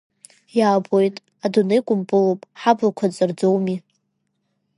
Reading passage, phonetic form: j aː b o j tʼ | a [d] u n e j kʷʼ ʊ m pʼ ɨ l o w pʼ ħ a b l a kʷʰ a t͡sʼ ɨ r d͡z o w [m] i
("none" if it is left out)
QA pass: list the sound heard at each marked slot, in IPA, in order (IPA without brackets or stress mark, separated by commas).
d, m